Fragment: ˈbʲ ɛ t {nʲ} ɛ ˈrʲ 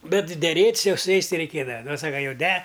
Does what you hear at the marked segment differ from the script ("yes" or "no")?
yes